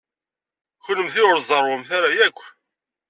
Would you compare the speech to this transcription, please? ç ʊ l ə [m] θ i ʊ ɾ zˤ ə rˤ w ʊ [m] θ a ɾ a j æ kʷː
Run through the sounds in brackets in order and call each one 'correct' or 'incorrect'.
correct, correct

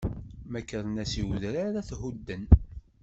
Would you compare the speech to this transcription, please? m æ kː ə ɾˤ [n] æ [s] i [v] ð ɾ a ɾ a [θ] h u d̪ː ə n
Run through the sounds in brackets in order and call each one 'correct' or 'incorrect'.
correct, correct, incorrect: w, correct

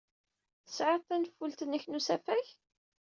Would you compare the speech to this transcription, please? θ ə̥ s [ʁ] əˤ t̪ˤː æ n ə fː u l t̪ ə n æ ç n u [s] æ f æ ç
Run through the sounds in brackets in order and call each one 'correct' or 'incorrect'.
incorrect: ʕ, correct

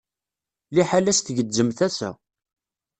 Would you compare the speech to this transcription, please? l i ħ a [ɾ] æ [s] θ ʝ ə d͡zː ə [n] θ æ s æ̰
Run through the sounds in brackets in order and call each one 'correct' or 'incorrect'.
incorrect: l, correct, incorrect: m

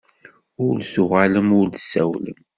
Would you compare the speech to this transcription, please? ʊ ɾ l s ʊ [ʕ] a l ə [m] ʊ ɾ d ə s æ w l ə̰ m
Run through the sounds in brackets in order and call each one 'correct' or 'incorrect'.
incorrect: ʁ, correct

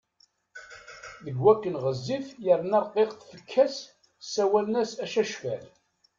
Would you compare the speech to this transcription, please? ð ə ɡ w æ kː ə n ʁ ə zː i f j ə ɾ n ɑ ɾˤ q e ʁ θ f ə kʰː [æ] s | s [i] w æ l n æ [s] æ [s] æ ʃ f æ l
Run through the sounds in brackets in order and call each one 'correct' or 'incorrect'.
correct, incorrect: æ, correct, incorrect: ʃ

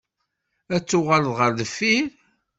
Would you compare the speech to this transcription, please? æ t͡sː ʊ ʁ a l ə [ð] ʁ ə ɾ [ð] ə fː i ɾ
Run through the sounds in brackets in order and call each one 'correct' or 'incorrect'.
correct, correct

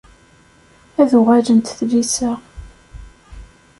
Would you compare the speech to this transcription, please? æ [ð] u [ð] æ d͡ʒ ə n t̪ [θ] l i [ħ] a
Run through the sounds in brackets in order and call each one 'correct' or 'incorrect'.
correct, incorrect: ʁ, correct, incorrect: s

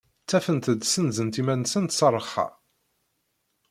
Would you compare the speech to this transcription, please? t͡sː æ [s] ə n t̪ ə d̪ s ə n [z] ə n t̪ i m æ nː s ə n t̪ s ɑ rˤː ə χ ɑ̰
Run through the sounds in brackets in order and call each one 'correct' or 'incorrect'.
incorrect: f, correct

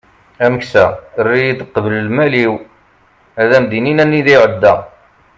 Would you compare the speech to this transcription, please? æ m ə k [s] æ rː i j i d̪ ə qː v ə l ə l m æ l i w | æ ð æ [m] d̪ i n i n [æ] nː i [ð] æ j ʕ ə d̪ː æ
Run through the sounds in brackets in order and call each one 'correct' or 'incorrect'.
correct, correct, correct, correct

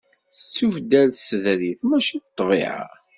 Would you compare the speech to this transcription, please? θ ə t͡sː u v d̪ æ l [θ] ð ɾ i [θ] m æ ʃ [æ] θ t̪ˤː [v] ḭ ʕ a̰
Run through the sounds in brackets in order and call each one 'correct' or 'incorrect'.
incorrect: s, correct, incorrect: i, correct

